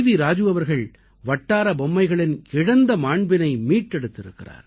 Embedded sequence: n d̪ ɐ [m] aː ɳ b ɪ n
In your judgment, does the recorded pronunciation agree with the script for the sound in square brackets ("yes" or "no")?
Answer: yes